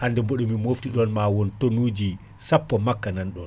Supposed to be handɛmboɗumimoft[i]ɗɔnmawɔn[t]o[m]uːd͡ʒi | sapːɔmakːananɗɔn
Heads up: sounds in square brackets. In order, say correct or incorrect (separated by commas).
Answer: correct, correct, incorrect